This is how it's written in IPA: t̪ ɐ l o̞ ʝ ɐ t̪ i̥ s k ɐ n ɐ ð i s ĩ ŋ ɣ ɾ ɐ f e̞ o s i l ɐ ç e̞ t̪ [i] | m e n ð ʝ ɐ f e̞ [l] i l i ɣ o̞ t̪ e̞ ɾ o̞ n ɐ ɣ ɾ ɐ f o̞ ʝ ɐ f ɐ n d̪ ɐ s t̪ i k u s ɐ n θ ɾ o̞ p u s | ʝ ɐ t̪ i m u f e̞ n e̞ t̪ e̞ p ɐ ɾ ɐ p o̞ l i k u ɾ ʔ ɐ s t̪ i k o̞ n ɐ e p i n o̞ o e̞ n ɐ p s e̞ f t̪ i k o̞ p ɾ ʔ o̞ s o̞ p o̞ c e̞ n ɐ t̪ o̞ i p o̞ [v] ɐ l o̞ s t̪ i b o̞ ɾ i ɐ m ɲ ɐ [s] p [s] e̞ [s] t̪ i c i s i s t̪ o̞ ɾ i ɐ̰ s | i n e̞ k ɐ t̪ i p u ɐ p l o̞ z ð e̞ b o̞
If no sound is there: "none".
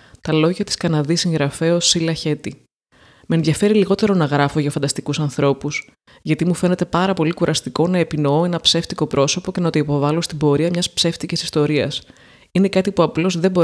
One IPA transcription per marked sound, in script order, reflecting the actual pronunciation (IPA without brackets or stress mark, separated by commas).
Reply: i, ɾ, v, s, s, f